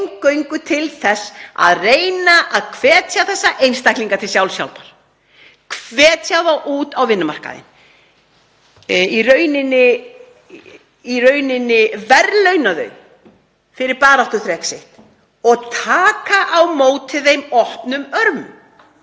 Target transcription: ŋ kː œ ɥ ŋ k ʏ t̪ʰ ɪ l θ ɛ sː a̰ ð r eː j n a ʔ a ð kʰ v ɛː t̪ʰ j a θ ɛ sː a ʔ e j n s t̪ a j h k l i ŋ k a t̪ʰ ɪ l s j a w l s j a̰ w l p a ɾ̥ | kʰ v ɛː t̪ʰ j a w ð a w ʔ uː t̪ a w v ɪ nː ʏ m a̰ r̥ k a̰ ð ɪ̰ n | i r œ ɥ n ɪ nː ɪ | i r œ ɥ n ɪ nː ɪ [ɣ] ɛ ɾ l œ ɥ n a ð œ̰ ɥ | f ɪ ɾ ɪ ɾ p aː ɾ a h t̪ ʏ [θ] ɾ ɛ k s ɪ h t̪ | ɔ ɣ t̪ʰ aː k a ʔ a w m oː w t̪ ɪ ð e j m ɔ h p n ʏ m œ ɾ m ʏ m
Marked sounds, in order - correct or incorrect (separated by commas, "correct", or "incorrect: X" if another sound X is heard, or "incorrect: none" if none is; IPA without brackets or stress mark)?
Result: incorrect: v, correct